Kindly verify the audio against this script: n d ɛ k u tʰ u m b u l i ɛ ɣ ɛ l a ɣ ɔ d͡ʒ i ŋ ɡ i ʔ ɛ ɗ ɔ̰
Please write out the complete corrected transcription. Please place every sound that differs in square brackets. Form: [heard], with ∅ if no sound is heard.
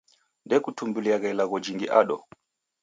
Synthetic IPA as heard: n d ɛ k u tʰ u m b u l i [a] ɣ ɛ l a ɣ ɔ d͡ʒ i ŋ ɡ i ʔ [a] ɗ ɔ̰